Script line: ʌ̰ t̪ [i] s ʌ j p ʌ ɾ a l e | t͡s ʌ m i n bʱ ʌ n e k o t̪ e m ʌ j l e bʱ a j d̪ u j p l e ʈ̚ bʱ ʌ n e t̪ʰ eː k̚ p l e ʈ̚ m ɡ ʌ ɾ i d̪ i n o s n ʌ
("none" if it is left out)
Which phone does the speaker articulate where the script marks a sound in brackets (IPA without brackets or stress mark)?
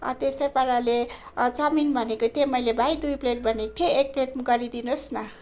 e